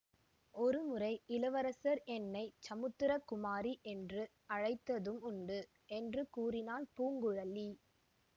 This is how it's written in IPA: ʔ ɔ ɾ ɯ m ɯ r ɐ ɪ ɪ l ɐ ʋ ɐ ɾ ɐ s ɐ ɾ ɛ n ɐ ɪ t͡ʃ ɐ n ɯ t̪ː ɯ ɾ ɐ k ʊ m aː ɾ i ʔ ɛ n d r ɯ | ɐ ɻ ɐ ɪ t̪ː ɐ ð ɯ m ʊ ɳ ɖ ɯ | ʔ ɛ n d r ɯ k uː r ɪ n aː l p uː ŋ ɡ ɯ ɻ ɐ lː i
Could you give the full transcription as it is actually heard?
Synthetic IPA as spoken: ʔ ɔ ɾ ɯ m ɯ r ɐ ɪ ɪ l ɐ ʋ ɐ ɾ ɐ s ɐ ɾ ɛ nː ɐ ɪ t͡ʃ ɐ m ɯ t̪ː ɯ ɾ ɐ k ʊ m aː ɾ i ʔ ɛ n d r ɯ | ɐ ɻ ɐ ɪ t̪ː ɐ ð ɯ m ʊ ɳ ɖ ɯ | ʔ ɛ n d r ɯ k uː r ɪ n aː l p uː ŋ ɡ ɯ ɻ ɐ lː i